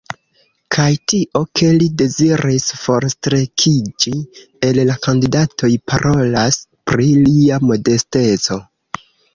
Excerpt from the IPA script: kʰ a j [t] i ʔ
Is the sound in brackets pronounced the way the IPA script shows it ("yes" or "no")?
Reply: yes